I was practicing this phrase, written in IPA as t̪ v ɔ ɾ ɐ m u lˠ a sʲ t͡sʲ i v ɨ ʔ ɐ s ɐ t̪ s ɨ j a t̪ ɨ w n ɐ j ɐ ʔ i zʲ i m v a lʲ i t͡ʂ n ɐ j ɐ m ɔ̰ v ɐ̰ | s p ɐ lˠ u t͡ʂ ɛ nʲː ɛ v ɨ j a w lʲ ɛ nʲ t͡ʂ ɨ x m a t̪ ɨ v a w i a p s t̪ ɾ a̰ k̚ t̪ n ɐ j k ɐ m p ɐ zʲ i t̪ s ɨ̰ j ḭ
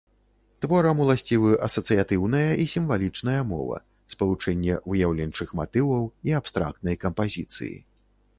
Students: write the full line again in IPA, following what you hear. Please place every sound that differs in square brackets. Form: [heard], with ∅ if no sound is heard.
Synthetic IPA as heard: t̪ v ɔ ɾ ɐ m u lˠ a sʲ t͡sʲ i v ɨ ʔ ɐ s ɐ t̪ s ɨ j a t̪ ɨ w n ɐ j ɐ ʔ i [sʲ] i m v a lʲ i t͡ʂ n ɐ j ɐ m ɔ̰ v ɐ̰ | s p ɐ lˠ u t͡ʂ ɛ nʲː ɛ v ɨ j a w lʲ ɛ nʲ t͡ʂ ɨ x m a t̪ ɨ v [ɐ] w i a p s t̪ ɾ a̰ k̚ t̪ n ɐ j k ɐ m p [a] zʲ i t̪ s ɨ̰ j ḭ